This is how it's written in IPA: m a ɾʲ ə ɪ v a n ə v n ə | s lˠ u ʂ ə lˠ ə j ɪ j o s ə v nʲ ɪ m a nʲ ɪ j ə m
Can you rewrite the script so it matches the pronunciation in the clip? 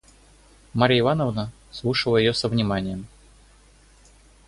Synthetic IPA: m a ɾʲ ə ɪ v a n ə v n ə | s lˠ u ʂ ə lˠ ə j ɪ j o s ə v nʲ ɪ m a nʲ ɪ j ə m